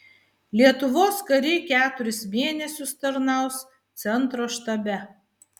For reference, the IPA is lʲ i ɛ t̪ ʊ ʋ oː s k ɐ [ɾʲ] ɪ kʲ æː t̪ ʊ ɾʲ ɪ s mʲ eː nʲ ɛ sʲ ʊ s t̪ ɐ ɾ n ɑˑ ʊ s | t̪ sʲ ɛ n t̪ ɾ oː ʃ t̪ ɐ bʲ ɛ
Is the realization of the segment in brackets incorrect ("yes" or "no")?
no